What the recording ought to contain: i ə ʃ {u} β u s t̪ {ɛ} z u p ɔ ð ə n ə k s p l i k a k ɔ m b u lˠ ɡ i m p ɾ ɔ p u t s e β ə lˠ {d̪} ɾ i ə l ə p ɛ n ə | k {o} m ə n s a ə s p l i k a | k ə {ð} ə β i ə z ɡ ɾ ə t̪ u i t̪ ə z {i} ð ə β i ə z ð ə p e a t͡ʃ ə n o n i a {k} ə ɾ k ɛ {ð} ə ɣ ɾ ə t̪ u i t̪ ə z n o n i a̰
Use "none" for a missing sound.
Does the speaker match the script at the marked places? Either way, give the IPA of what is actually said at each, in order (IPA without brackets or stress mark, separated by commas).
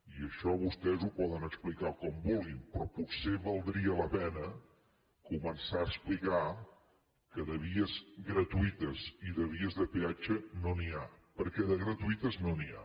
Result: ɔ, ɛ, d̪, u, ð, i, p, ð